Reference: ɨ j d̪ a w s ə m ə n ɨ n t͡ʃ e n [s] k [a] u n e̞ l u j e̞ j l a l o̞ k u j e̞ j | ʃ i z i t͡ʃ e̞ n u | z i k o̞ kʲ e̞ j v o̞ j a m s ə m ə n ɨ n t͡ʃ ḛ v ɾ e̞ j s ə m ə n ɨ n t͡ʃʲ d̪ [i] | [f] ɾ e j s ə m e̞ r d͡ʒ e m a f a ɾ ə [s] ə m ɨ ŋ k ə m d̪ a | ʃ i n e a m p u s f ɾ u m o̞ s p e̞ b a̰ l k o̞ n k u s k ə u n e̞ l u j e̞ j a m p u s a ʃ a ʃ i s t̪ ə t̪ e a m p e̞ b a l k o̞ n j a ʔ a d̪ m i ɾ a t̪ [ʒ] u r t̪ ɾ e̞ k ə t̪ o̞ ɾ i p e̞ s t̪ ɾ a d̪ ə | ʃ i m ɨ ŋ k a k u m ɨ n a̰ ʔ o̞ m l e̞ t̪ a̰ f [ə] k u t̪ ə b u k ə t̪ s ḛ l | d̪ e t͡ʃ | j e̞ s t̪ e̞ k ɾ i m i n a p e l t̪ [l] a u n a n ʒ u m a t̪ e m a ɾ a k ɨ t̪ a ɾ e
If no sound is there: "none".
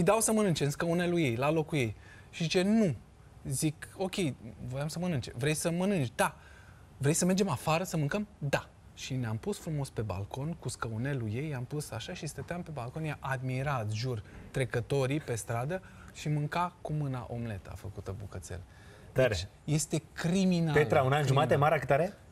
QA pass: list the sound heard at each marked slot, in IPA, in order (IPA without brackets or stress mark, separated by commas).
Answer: s, ə, a, v, s, ʒ, ə, ɾ